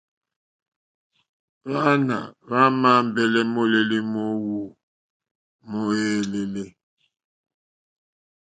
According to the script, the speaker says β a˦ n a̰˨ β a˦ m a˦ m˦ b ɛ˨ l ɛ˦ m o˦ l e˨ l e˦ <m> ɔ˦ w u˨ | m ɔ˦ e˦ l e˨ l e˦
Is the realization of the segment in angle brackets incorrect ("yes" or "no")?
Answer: no